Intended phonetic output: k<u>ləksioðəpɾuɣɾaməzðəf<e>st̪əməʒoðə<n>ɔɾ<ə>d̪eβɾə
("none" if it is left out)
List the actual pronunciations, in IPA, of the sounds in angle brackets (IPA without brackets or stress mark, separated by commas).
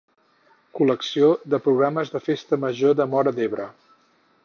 u, e, m, ə